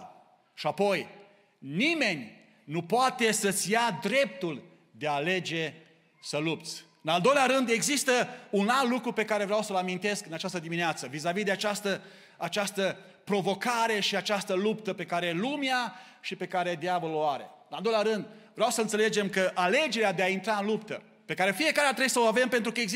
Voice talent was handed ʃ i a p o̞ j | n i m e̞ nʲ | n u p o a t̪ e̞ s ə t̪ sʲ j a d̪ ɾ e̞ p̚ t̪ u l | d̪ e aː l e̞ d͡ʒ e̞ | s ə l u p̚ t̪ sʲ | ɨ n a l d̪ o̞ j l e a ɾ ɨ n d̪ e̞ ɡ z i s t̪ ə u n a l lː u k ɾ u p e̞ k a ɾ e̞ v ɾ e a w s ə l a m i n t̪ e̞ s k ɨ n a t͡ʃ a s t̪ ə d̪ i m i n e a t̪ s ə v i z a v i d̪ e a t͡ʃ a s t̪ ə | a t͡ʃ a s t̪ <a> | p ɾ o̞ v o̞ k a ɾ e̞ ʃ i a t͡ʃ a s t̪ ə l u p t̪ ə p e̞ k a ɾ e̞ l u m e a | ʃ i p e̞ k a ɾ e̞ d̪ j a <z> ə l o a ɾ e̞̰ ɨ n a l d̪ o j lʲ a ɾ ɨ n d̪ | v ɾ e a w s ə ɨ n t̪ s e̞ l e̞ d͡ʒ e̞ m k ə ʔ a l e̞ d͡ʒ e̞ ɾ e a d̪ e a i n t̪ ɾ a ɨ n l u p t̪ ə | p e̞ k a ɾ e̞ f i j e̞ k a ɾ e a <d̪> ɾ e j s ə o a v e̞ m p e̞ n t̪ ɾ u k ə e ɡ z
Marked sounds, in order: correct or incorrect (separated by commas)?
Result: incorrect, incorrect, incorrect